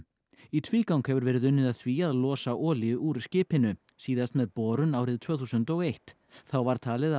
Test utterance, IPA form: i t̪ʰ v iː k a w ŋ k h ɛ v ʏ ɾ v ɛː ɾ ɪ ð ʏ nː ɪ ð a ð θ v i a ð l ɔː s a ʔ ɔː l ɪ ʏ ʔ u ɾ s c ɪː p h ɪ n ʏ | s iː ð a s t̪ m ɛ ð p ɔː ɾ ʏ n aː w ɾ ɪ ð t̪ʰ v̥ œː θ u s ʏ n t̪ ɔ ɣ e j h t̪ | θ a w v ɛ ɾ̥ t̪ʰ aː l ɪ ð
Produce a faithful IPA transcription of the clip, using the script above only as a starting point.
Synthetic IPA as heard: i t̪ʰ v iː k a w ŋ k h ɛ v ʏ ɾ v ɛː ɾ ɪ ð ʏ nː ɪ ð a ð θ v i a ð l ɔː s a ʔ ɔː l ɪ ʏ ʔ u ɾ s c ɪː p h ɪ n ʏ | s iː ð a s t̪ m ɛ ð p ɔː ɾ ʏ n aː w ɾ ɪ ð t̪ʰ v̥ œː θ u s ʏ n t̪ ɔ ɣ e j h t̪ | θ a w v a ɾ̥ t̪ʰ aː l ɪ ð